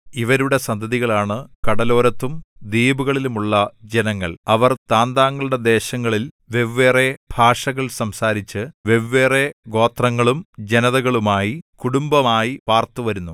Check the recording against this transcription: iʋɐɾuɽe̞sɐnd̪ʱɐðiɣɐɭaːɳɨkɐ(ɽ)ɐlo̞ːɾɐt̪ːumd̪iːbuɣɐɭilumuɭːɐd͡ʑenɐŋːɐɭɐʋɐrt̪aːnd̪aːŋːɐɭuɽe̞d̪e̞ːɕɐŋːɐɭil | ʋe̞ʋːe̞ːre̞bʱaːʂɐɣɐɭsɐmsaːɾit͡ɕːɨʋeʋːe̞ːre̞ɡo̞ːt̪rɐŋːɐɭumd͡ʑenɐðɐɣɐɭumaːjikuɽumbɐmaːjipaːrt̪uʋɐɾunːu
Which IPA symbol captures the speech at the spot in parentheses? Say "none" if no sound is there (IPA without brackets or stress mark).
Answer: ɽ